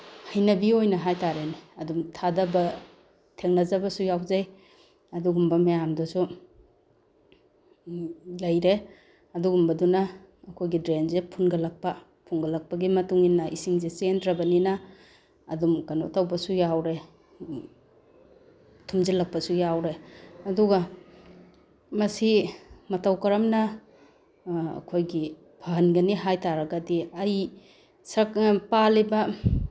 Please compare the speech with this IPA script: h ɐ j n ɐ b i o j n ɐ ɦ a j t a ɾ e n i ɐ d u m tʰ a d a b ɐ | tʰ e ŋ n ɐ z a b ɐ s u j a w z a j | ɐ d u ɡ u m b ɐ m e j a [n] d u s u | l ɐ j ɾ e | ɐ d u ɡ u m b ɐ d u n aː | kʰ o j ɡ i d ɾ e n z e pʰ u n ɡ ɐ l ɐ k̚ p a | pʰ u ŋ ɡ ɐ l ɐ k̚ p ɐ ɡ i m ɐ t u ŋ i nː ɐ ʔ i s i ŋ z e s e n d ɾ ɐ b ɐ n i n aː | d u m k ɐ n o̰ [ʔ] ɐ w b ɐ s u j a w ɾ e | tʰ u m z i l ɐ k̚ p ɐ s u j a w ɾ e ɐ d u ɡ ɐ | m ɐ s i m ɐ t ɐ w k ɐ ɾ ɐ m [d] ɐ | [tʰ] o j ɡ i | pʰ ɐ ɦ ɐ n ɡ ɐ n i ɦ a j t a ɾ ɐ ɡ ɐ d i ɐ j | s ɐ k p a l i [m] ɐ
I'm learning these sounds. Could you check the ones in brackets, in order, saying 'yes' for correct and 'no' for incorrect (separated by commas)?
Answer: no, no, no, no, no